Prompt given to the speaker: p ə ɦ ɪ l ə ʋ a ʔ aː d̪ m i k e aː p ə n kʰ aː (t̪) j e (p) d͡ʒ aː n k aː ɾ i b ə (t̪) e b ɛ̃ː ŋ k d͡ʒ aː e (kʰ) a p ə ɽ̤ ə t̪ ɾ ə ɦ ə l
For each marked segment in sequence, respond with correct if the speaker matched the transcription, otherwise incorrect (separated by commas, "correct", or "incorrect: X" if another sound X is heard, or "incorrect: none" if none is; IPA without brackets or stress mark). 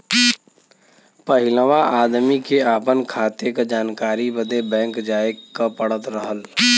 correct, incorrect: k, incorrect: d̪, incorrect: k